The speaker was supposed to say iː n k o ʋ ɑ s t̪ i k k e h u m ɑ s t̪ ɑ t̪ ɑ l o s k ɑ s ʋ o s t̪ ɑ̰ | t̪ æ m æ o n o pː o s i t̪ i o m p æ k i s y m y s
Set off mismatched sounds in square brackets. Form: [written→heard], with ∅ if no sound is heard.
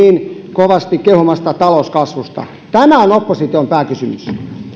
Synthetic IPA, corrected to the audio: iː n k o ʋ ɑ s t̪ i k k e h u m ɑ s t̪ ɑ t̪ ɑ l o s k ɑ s ʋ [o→u] s t̪ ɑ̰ | t̪ æ m æ o n o pː o s i t̪ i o m p [æ→æː] k [i→y] s y m y s

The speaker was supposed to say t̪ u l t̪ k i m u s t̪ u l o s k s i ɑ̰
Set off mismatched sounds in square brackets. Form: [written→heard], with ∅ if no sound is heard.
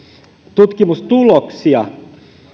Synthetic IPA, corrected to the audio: t̪ u [l→∅] t̪ k i m u s t̪ u l o [s→∅] k s i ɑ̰

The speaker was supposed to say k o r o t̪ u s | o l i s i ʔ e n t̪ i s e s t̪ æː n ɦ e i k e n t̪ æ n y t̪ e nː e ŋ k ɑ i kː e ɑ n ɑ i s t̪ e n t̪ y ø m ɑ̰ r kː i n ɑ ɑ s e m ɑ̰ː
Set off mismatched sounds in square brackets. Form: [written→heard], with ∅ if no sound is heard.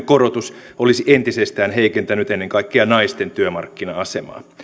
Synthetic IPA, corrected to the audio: k o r o t̪ u s | o l i s i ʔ e n t̪ i s e s t̪ æː n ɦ e i k e n t̪ æ n y t̪ e nː e ŋ k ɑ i kː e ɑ n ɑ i s t̪ e n t̪ y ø m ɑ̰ r kː i n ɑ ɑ s e m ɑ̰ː

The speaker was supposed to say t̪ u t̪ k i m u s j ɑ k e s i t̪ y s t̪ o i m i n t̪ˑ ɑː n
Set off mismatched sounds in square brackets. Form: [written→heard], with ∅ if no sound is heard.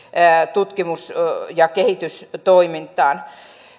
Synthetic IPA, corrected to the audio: t̪ u t̪ k i m u s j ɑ k e [s→h] i t̪ y s t̪ o i m i n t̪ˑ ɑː n

